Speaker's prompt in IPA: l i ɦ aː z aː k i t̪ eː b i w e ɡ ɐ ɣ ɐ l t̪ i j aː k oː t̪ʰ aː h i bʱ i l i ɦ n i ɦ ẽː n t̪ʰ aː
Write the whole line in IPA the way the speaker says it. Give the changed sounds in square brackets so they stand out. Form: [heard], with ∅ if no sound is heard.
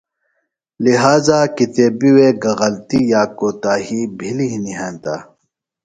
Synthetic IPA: l i ɦ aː z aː k i t̪ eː b i w e ɡ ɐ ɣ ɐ l t̪ i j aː k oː [t̪] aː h i bʱ i l i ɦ n i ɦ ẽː n [t̪] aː

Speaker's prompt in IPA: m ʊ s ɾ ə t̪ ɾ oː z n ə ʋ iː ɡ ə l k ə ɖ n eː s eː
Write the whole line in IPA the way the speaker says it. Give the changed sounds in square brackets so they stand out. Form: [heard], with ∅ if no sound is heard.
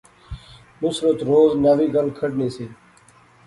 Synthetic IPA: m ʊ s ɾ ə t̪ ɾ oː z n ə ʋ iː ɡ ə l [kʰ] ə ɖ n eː s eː

